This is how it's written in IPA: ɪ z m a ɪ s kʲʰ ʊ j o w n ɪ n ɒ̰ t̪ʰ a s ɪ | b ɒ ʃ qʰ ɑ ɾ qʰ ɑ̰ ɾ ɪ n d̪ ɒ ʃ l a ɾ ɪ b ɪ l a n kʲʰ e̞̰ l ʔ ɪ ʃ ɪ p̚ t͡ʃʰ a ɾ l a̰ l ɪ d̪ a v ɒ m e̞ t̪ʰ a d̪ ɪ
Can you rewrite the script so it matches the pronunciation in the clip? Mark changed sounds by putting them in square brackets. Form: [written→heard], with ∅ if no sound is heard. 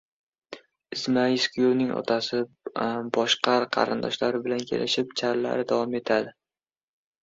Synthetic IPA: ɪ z m a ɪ s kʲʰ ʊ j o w n ɪ [n→ŋ] ɒ̰ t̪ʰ a s ɪ | b ɒ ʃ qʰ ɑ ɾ qʰ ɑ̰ ɾ ɪ n d̪ ɒ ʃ l a ɾ ɪ b ɪ l a n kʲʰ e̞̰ l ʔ ɪ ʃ ɪ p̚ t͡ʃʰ a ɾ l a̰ [l→ɾ] ɪ d̪ a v ɒ m e̞ t̪ʰ a d̪ ɪ